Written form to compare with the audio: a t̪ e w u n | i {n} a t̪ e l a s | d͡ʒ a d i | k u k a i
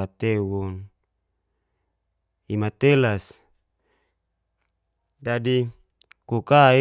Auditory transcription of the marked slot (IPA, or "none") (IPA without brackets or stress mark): m